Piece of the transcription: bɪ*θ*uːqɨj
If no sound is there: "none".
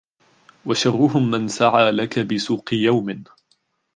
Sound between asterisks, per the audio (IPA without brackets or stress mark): s